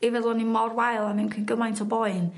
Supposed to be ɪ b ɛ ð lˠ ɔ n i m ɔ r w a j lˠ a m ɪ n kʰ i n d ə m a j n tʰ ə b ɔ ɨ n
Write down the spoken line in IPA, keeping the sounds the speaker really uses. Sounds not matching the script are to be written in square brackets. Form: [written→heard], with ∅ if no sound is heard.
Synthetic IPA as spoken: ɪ [b→v] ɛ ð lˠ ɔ n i m ɔ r w a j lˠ a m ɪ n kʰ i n [d→ɡ] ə m a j n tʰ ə b ɔ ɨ n